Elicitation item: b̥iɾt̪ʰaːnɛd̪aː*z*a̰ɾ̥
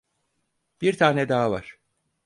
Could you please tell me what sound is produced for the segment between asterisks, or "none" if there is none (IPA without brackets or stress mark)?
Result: v